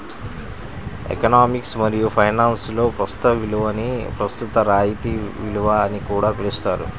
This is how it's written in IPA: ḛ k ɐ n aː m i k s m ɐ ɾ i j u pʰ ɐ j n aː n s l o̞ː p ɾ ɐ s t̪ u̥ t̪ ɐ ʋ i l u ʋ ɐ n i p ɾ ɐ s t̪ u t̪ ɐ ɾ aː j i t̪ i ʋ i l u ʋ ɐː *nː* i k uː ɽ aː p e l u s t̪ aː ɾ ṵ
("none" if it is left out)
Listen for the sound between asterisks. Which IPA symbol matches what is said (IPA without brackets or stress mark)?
n